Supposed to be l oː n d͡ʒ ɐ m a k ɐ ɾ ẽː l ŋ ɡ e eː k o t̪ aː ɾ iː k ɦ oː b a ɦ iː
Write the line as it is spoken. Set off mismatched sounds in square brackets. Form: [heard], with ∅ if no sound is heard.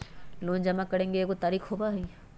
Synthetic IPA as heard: l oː n d͡ʒ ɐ m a k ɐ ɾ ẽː [∅] ŋ ɡ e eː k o t̪ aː ɾ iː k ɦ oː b a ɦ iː